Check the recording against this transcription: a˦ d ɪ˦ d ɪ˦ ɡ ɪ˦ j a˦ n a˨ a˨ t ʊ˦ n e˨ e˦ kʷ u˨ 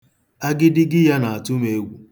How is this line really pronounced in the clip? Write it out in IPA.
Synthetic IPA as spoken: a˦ ɡ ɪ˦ d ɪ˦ ɡ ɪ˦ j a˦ n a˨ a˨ t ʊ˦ m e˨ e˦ ɡʷ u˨